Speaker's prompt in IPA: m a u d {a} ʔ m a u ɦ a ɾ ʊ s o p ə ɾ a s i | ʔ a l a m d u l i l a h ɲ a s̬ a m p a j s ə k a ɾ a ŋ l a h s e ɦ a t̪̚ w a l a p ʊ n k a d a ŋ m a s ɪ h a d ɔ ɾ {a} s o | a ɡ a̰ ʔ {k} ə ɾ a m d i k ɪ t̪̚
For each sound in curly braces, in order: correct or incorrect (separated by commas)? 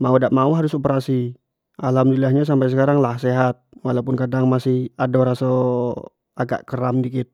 correct, correct, correct